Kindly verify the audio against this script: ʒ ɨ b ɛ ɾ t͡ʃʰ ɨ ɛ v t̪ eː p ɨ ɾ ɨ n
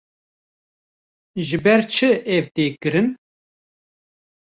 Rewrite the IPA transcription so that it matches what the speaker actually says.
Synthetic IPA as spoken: ʒ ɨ b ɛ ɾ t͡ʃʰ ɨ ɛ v t̪ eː k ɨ ɾ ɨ n